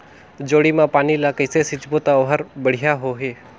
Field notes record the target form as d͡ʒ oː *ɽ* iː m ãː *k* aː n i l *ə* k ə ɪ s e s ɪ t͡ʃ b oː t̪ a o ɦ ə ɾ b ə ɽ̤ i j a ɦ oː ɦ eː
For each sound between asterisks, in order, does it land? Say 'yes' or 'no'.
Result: yes, no, no

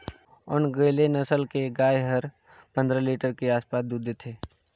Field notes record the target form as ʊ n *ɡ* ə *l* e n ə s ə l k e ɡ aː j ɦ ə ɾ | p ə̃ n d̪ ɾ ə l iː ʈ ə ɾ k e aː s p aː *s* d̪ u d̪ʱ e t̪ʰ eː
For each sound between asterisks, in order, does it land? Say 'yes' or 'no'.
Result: yes, yes, yes

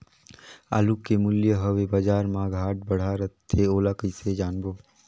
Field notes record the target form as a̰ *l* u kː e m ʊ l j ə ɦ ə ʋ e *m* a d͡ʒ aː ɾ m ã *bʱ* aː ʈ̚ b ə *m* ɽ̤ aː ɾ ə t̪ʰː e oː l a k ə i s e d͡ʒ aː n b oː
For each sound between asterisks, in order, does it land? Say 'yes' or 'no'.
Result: yes, no, no, no

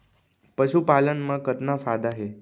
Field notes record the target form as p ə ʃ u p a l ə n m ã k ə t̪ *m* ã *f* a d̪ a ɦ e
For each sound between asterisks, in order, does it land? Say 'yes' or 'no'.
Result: no, yes

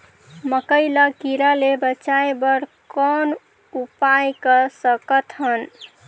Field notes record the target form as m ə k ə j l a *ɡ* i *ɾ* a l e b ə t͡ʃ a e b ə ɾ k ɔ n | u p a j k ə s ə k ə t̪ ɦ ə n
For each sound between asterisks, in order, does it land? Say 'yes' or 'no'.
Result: no, yes

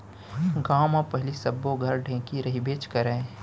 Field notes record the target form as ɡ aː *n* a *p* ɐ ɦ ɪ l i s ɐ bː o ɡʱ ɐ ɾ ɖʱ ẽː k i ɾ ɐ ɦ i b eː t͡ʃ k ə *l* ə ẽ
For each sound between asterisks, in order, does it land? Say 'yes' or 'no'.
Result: no, yes, no

